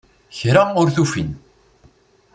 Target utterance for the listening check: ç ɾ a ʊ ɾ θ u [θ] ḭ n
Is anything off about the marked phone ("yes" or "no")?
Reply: yes